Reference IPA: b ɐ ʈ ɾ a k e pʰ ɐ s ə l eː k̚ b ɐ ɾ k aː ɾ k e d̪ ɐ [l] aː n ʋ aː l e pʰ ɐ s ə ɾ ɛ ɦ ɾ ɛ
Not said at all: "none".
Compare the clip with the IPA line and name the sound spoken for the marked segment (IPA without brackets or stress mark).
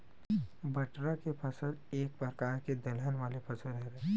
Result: l